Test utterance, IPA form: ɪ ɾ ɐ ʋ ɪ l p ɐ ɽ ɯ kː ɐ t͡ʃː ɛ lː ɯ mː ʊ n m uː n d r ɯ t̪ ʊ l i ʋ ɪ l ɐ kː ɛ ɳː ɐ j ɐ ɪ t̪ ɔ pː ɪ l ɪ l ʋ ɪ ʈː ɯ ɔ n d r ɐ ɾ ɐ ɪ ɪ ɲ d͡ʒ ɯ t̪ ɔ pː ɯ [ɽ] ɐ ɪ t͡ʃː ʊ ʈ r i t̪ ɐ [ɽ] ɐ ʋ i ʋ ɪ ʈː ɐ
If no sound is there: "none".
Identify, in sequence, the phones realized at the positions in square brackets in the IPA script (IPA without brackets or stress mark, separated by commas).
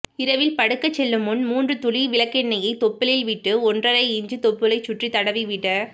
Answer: l, ɽ